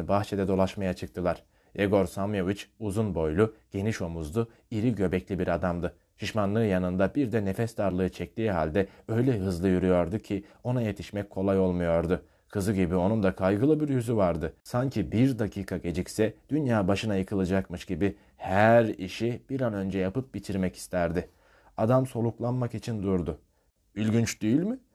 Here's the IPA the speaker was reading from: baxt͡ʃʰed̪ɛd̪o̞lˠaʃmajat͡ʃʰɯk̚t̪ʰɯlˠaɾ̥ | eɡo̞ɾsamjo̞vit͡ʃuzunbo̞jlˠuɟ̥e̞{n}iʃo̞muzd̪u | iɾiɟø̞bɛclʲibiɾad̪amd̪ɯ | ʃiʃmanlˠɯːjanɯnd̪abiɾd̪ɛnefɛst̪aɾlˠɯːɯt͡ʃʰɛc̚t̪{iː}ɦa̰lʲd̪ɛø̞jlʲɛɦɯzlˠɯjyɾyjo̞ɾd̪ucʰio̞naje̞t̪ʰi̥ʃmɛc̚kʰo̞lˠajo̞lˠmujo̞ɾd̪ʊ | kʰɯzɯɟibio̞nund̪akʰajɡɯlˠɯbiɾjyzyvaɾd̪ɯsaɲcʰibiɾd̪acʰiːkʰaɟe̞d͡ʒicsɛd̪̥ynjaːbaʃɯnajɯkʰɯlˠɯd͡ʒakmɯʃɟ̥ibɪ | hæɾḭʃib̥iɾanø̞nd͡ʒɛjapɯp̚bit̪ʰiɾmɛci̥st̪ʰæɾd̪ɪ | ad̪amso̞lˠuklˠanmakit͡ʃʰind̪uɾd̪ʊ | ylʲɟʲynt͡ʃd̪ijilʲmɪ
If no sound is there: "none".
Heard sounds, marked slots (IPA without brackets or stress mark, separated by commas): n, iː